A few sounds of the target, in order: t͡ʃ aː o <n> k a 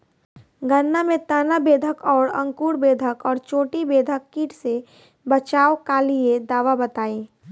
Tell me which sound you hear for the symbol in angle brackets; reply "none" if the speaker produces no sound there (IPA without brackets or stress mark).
none